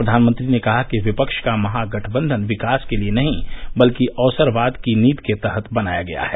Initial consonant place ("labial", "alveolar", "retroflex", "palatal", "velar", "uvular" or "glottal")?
labial